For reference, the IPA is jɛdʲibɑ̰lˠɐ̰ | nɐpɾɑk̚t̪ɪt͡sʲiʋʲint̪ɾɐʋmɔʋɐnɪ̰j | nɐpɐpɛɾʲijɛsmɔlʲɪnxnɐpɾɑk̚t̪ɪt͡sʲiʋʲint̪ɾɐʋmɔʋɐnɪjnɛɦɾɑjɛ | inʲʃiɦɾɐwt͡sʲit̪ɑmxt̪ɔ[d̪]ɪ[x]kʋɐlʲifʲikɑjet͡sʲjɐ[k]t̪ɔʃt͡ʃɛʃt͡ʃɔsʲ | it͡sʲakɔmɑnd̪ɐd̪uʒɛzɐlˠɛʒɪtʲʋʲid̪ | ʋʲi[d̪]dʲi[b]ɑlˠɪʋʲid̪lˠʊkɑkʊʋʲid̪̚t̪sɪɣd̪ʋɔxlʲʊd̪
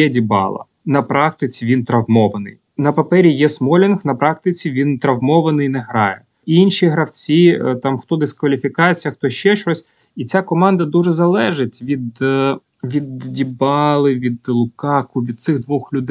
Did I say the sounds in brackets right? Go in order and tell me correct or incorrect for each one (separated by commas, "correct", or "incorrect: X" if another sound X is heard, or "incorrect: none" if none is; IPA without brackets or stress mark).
correct, incorrect: s, incorrect: x, correct, correct